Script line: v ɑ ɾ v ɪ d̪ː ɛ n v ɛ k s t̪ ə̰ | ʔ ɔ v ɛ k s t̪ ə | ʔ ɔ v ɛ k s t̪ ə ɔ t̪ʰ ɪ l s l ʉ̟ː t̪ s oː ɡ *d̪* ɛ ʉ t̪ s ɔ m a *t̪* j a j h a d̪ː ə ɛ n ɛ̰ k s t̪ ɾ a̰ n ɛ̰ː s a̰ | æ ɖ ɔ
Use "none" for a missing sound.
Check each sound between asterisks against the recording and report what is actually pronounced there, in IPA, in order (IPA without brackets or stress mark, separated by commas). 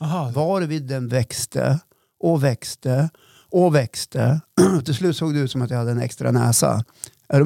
d̪, t̪